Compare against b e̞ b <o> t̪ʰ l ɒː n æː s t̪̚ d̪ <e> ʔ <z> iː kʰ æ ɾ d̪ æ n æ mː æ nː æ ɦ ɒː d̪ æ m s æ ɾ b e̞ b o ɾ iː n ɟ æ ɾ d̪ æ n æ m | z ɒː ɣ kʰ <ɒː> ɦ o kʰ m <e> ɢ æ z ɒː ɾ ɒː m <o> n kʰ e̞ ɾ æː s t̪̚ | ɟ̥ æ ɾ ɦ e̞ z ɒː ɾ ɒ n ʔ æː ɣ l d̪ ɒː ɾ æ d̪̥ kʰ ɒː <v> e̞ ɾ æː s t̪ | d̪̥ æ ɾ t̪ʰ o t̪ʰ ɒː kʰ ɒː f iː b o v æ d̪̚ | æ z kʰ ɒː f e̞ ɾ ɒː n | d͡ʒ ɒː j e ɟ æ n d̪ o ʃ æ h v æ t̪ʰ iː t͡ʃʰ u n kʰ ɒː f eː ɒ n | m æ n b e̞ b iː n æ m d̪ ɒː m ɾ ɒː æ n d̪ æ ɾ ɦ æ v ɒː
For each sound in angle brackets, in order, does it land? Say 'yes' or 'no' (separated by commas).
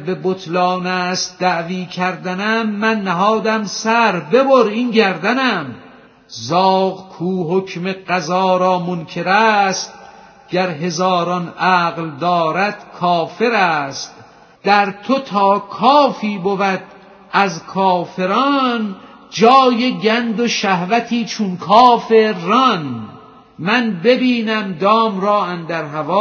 yes, no, no, no, yes, yes, no